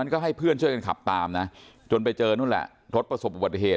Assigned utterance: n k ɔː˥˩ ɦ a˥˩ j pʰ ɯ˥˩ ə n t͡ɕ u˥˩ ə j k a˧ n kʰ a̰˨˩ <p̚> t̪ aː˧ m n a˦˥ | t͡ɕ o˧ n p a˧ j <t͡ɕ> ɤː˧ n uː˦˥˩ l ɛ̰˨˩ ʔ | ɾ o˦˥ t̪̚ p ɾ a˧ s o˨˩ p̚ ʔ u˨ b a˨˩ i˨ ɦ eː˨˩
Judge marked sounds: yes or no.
yes, yes

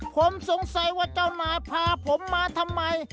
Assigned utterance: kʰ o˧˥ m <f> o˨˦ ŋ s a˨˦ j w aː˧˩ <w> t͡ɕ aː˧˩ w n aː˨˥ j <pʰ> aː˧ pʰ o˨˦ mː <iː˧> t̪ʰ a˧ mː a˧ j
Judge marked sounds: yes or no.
no, no, yes, no

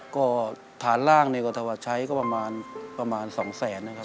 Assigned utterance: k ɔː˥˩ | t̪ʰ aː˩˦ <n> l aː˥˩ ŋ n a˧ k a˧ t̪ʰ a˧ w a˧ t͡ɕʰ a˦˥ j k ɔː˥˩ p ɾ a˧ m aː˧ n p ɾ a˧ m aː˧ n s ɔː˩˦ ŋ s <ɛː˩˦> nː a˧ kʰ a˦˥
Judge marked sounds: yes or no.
yes, yes

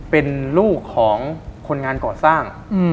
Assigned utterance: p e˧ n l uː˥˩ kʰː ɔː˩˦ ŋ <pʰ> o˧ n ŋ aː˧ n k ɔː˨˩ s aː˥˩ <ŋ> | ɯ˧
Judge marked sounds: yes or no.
no, yes

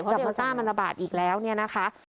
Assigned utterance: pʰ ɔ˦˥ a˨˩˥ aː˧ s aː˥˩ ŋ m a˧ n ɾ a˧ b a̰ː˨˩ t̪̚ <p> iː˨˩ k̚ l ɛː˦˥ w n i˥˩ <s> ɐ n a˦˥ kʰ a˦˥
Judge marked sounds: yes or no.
no, no

